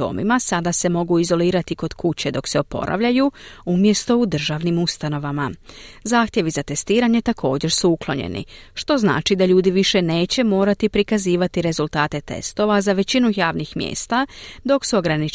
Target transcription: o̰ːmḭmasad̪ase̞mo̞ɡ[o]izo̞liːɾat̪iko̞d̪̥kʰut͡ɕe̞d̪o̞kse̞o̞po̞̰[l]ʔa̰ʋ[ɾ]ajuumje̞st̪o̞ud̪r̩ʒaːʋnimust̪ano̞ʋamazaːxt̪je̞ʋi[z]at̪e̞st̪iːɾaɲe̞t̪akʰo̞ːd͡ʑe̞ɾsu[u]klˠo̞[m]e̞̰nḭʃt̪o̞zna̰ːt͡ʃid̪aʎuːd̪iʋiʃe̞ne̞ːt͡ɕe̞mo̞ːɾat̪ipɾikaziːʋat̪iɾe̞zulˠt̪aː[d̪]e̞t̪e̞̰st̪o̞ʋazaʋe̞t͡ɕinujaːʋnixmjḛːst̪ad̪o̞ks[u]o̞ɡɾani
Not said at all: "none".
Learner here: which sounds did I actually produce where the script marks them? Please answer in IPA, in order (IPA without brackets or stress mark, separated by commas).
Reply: u, ɾ, ʎ, z, u, ɲ, t̪, u